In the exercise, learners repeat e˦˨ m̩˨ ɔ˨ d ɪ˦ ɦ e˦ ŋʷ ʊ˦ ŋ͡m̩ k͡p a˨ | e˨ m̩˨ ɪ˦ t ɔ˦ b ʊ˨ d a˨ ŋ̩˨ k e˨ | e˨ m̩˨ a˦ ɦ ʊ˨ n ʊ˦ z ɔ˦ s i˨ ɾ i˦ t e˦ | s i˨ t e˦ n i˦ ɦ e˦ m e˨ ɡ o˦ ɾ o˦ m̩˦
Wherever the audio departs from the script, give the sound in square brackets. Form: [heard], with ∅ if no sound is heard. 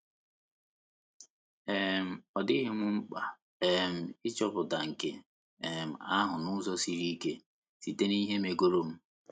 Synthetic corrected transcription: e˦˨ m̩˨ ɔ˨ d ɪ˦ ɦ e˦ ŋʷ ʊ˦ ŋ͡m̩ k͡p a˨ | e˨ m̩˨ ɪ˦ [t͡ʃ] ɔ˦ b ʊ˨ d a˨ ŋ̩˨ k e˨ | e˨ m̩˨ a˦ ɦ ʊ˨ n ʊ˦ z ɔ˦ s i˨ ɾ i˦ [k] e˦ | s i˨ t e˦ n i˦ ɦ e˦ m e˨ ɡ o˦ ɾ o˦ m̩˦